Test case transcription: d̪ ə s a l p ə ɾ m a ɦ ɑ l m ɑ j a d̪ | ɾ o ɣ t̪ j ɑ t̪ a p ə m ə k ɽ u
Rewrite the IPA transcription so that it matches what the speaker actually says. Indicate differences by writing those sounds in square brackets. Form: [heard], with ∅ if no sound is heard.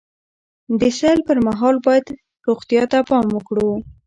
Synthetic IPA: d̪ ə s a l p ə ɾ m a ɦ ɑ l [b] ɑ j a d̪ | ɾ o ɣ t̪ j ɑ t̪ a p [ɑ] m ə k ɽ u